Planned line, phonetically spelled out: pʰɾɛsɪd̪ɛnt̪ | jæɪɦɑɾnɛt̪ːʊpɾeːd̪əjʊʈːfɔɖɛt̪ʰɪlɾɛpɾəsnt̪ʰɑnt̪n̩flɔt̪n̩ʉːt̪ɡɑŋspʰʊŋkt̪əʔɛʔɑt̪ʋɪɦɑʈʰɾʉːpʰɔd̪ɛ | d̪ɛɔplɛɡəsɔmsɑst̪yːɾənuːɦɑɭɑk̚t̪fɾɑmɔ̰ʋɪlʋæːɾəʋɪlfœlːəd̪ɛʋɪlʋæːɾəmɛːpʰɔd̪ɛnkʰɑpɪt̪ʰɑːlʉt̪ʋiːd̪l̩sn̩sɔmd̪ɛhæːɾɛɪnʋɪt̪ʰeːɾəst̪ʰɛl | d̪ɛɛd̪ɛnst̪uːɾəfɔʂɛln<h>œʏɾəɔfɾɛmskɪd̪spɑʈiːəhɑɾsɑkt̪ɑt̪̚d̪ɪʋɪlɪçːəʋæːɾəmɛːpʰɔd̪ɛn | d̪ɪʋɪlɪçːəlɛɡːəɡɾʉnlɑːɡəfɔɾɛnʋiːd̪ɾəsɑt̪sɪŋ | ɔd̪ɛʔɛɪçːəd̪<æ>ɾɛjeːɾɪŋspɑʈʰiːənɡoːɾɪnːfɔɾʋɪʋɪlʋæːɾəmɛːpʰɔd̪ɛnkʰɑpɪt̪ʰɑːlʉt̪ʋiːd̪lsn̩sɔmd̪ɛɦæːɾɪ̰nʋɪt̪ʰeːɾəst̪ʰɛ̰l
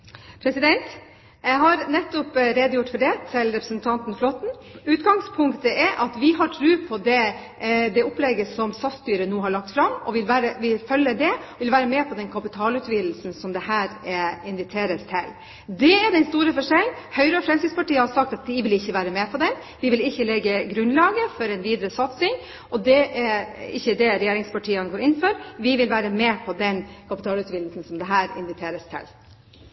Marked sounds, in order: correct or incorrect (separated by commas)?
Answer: correct, incorrect